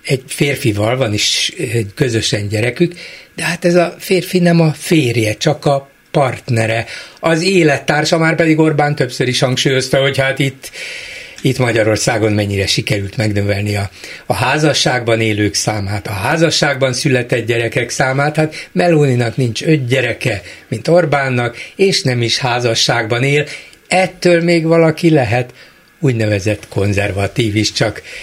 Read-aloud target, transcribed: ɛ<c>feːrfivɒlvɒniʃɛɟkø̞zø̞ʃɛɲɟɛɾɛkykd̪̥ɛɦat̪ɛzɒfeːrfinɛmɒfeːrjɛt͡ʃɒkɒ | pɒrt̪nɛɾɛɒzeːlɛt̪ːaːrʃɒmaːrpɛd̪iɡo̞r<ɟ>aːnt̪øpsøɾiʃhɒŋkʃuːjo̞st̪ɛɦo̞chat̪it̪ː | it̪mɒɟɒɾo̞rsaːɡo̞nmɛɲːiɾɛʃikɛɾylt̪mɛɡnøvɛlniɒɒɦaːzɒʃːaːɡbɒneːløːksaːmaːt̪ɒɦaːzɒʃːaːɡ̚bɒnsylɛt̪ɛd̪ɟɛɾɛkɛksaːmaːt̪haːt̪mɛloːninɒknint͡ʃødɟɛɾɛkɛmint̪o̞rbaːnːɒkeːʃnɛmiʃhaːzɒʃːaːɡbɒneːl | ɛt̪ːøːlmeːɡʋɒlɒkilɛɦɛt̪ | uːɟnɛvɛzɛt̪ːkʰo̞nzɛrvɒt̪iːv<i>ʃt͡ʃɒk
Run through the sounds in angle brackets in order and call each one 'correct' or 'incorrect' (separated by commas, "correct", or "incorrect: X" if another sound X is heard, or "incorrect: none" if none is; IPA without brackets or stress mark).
incorrect: ɟ, incorrect: b, correct